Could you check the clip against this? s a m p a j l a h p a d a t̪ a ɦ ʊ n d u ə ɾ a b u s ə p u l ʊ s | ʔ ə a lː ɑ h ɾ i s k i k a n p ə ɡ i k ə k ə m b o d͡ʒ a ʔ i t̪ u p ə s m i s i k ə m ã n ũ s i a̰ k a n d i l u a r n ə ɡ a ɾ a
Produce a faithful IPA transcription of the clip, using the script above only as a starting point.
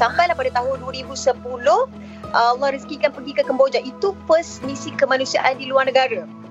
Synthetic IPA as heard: s a m p a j l a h p a d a t̪ a ɦ ʊ n d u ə ɾ i b u s ə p u l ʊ h | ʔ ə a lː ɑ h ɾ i s k i k a n p ə ɡ i k ə k ə m b o d͡ʒ a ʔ i t̪ u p ə s m i s i k ə m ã n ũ s i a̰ ʔ a n d i l u a r n ə ɡ a ɾ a